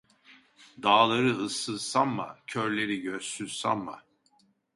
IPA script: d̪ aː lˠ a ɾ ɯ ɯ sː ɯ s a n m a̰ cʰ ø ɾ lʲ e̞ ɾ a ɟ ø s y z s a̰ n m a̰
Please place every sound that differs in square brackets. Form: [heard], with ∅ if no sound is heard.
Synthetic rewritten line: d̪ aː lˠ a ɾ ɯ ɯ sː ɯ s a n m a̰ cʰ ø ɾ lʲ e̞ ɾ [i] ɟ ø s y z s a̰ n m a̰